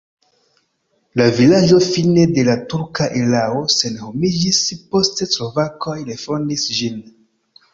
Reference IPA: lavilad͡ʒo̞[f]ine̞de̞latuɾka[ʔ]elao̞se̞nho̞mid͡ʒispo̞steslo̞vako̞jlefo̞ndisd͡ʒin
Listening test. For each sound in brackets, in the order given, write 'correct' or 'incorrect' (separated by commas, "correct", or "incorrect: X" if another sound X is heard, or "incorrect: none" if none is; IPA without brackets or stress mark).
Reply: correct, correct